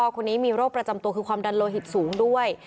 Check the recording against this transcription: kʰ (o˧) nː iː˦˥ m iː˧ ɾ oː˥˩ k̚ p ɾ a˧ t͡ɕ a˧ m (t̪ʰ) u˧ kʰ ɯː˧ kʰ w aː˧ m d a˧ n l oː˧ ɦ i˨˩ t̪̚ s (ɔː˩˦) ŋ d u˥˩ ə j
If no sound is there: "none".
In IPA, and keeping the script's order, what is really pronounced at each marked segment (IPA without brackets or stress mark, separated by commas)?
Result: o˧, t̪, uː˩˦